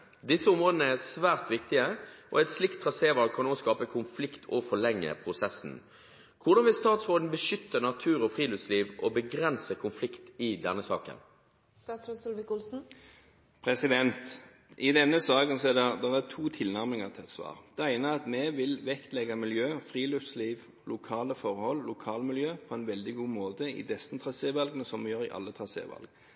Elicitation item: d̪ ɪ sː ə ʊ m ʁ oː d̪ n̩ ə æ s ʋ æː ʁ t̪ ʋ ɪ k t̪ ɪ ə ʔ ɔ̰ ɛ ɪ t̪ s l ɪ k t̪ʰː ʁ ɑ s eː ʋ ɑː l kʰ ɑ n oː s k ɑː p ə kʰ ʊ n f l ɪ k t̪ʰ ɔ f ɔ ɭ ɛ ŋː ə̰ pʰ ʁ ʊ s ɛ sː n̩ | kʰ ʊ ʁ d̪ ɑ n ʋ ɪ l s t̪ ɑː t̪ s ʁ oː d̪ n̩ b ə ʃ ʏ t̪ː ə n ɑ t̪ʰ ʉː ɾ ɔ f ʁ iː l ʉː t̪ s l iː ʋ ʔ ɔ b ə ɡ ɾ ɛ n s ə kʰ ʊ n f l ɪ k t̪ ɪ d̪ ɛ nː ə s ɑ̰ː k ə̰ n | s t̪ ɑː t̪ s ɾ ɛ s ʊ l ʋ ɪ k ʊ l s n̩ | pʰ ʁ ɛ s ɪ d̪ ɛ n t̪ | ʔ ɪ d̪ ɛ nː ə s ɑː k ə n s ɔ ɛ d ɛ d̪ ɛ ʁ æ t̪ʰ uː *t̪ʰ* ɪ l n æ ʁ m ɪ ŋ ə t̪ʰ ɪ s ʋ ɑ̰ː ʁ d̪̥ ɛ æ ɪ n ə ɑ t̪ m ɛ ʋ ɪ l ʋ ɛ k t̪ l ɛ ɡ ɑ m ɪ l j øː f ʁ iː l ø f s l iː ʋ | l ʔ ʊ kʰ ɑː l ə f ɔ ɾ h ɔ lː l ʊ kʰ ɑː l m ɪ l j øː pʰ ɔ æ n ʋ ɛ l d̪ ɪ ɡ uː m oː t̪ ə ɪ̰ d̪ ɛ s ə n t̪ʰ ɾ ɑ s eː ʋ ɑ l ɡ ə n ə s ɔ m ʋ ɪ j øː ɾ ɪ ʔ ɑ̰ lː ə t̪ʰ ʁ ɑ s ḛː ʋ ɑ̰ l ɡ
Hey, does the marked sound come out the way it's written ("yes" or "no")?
yes